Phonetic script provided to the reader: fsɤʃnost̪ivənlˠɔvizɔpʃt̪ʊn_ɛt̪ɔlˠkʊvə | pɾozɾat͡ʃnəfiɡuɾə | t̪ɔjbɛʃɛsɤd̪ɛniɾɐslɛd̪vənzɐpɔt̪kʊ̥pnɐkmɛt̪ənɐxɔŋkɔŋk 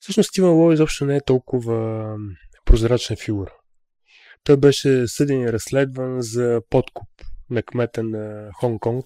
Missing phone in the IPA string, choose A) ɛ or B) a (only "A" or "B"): A